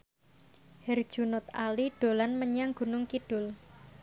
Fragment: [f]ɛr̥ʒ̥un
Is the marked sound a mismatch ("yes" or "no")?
yes